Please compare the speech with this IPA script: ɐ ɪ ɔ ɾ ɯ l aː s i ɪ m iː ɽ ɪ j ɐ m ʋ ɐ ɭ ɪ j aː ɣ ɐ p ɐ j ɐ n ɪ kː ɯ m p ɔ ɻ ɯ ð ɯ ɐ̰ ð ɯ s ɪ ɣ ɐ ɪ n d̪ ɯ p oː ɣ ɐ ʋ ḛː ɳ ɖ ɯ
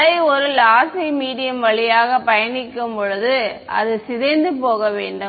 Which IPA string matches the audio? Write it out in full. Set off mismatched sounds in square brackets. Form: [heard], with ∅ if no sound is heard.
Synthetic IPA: ɐ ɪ ɔ ɾ ɯ l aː s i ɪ m iː ɽ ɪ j ɐ m ʋ ɐ ɭ ɪ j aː ɣ ɐ p ɐ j ɐ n ɪ kː ɯ m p ɔ ɻ ɯ ð ɯ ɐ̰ ð ɯ s ɪ [ð] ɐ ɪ n d̪ ɯ p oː ɣ ɐ ʋ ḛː ɳ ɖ ɯ